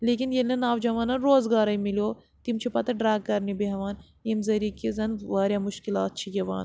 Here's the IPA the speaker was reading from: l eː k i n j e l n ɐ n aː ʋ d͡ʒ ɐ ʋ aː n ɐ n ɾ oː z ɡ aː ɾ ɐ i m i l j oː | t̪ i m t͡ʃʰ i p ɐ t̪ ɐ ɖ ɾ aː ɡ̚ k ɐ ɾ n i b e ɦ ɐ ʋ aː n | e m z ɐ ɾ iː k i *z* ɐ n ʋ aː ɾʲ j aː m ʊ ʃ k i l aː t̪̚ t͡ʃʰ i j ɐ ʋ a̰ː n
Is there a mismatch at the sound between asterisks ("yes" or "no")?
no